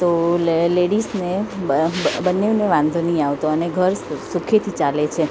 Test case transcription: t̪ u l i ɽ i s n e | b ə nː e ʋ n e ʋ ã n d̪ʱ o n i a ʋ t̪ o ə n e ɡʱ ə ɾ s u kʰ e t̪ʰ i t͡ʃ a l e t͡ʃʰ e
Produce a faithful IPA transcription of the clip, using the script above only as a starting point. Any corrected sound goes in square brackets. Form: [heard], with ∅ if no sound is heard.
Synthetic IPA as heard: t̪ [o] l [e] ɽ i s n e | b ə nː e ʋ n e ʋ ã n d̪ʱ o n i a ʋ t̪ o ə n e ɡʱ ə ɾ s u kʰ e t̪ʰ i t͡ʃ a l e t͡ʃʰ e